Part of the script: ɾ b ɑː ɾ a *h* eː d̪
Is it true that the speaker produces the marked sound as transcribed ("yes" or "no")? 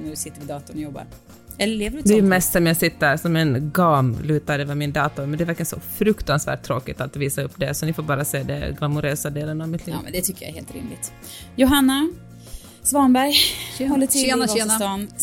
no